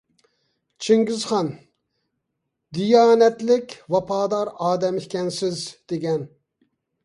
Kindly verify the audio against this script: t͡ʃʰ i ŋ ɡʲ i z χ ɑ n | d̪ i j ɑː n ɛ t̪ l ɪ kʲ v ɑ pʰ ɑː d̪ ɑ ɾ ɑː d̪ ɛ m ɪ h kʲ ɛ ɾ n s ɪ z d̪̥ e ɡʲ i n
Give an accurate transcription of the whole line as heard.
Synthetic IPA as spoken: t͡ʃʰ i ŋ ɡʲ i z χ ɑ n | d̪ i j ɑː n ɛ t̪ l ɪ kʲ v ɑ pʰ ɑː d̪ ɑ ɾ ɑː d̪ ɛ m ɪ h kʲ ɛ n s ɪ z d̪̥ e ɡʲ ɛ n